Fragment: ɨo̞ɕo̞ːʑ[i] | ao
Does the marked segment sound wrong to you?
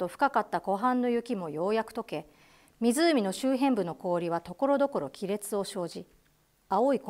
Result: no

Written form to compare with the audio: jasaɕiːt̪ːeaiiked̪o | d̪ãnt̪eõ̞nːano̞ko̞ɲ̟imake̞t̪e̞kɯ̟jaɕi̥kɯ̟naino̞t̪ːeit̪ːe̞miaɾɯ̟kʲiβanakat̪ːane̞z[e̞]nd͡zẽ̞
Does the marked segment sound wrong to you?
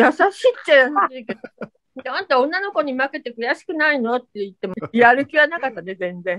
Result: yes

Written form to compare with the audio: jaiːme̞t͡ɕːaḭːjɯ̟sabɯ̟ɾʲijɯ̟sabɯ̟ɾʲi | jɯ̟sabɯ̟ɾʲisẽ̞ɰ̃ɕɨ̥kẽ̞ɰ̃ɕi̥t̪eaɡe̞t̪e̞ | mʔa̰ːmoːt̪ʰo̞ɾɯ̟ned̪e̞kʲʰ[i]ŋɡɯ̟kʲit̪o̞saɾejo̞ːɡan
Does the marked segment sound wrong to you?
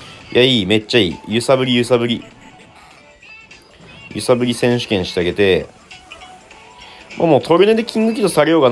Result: yes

